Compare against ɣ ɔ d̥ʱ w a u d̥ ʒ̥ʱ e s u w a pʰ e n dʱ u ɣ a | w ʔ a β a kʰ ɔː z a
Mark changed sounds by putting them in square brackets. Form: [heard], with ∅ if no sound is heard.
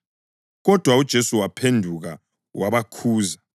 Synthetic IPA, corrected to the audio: ɣ ɔ d̥ʱ w a u d̥ ʒ̥ʱ e s u w a pʰ e n dʱ u ɣ a | w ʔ a β a kʰ [uː] z a